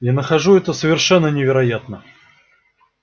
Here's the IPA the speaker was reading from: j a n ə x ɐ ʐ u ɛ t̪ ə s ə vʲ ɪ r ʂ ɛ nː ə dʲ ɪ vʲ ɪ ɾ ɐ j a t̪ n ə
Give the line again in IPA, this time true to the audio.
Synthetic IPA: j a n ə x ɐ ʐ u ɛ t̪ ə s ə vʲ ɪ r ʂ ɛ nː ə nʲ ɪ vʲ ɪ ɾ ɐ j a t̪ n ə